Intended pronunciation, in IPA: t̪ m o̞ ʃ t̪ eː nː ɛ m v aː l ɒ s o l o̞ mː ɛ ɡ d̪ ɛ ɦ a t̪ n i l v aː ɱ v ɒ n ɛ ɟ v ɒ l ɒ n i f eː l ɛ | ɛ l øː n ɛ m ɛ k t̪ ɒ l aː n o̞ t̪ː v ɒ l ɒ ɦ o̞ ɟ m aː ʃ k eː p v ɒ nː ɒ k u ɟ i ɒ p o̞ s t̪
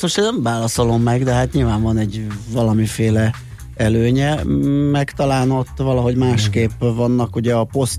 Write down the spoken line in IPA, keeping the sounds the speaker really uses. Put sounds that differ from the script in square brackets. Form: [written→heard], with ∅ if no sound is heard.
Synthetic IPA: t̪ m o̞ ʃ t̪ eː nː ɛ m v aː l ɒ s o l o̞ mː ɛ ɡ d̪ ɛ ɦ a t̪ [n→ɲ] i l v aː ɱ v ɒ n ɛ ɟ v ɒ l ɒ [n→m] i f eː l ɛ | ɛ l øː [n→ɲ] ɛ m ɛ k t̪ ɒ l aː n o̞ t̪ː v ɒ l ɒ ɦ o̞ ɟ m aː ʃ k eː p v ɒ nː ɒ k u ɟ [i→ɛ] ɒ p o̞ s t̪